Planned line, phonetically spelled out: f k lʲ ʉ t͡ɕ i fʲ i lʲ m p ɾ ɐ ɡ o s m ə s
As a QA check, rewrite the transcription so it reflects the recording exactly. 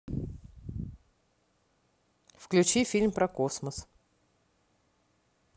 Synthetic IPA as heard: f k lʲ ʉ t͡ɕ i fʲ i lʲ m p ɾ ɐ k o s m ə s

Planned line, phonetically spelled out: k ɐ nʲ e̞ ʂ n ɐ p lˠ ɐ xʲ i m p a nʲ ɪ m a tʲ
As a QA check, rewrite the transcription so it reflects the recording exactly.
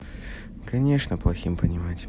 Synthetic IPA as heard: k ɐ nʲ e̞ ʂ n ə p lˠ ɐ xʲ i m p ə nʲ ɪ m a tʲ

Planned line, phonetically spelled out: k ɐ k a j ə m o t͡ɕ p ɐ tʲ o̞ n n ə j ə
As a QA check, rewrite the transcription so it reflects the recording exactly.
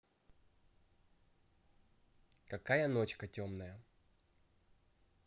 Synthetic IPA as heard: k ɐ k a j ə n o t͡ɕ k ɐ tʲ o̞ m n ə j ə

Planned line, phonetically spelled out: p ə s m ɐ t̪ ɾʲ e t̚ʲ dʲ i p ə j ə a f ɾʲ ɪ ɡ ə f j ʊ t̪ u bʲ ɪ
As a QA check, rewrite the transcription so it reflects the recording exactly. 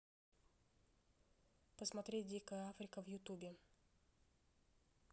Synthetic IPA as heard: p ə s m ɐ t̪ ɾʲ e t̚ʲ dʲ i k ə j ə a f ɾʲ ɪ k ə v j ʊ t̪ u bʲ ɪ

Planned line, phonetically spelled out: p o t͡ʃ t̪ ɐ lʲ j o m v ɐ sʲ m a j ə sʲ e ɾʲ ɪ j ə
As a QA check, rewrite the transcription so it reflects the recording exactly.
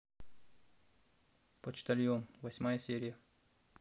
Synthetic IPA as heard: p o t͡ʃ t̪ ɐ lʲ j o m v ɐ sʲ m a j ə sʲ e ɾʲ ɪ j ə

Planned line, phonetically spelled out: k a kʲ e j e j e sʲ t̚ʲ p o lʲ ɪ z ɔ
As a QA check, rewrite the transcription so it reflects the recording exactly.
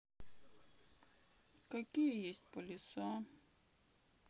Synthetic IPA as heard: k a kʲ i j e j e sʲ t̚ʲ p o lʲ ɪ s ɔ

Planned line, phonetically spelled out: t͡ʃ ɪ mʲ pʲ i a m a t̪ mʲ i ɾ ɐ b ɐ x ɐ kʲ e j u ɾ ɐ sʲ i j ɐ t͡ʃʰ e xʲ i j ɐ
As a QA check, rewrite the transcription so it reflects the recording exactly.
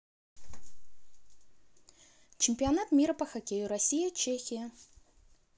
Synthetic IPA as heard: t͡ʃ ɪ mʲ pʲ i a n a t̪ mʲ i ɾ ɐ p ɐ x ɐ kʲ e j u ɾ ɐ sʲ i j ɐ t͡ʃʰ e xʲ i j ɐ

